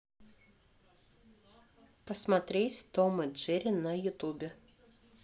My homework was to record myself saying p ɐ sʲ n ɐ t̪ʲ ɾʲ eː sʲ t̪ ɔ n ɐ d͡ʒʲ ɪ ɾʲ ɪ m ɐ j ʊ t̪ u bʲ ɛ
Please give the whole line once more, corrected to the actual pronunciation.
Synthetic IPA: p ɐ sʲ m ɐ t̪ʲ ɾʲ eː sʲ t̪ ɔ m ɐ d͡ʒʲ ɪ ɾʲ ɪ n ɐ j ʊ t̪ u bʲ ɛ